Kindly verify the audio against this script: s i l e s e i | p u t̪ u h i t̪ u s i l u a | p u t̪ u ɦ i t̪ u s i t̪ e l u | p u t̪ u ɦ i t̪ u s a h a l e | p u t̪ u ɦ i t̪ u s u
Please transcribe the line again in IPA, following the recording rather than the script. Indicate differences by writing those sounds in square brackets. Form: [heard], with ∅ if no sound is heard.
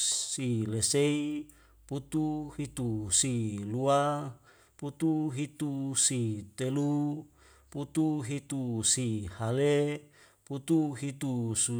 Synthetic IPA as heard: s i l e s e i | p u t̪ u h i t̪ u s i l u a | p u t̪ u ɦ i t̪ u s i t̪ e l u | p u t̪ u ɦ i t̪ u s [i] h a l e | p u t̪ u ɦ i t̪ u s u